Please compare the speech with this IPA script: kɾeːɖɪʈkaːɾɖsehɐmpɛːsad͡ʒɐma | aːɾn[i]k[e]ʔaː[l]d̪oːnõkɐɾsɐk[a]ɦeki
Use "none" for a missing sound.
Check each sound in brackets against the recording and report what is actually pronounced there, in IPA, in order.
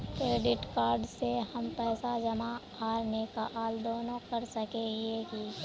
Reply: e, a, l, e

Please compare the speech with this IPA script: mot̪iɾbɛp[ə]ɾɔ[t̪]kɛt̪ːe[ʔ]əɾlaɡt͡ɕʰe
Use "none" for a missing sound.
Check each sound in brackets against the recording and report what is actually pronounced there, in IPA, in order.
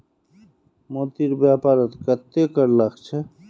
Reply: a, t̪, k

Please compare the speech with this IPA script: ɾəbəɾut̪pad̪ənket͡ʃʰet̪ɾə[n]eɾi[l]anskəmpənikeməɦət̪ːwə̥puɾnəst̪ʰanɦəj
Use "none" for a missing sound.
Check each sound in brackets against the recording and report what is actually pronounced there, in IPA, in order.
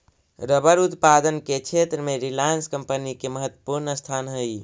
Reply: m, l

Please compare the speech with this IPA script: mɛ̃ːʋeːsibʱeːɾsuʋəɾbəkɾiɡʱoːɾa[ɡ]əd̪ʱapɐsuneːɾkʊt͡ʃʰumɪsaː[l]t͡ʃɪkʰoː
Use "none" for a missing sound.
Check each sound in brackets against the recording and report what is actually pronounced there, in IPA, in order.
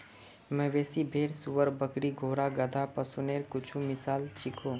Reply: ɡ, l

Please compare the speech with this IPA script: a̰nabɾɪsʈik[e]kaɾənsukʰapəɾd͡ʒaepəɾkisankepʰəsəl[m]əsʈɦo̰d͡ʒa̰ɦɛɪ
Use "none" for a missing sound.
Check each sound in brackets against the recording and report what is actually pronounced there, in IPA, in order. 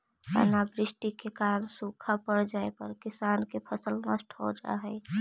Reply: e, n

